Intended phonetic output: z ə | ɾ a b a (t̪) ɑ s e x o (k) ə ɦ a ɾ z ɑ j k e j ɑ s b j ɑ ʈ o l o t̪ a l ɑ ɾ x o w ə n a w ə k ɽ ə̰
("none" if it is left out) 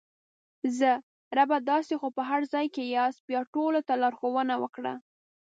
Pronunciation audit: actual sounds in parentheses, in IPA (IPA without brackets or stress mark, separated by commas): d̪, p